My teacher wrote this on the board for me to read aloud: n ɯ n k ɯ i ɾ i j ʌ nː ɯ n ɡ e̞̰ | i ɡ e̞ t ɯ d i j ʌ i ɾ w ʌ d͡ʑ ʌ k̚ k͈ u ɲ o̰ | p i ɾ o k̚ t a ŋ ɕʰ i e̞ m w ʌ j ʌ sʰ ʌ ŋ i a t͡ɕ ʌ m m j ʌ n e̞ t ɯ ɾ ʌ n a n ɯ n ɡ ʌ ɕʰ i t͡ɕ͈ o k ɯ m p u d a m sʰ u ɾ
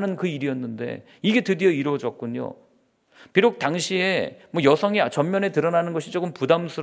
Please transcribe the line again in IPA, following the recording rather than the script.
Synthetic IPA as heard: n ɯ n k ɯ i ɾ i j ʌ nː ɯ n d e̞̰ | i ɡ e̞ t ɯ d i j ʌ i ɾ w ʌ d͡ʑ ʌ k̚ k͈ u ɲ o̰ | p i ɾ o k̚ t a ŋ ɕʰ i e̞ m w ʌ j ʌ sʰ ʌ ŋ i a t͡ɕ ʌ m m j ʌ n e̞ t ɯ ɾ ʌ n a n ɯ n ɡ ʌ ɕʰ i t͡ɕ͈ o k ɯ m p u d a m sʰ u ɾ